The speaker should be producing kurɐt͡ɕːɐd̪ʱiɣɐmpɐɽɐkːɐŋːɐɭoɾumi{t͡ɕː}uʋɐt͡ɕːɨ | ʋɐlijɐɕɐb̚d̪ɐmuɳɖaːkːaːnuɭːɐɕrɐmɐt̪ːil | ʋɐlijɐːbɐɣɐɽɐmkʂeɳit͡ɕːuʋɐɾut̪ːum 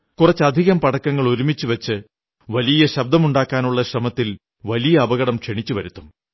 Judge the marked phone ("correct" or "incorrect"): correct